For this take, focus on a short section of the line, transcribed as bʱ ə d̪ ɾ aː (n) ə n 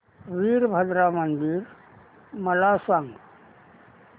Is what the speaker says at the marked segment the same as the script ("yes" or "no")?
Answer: no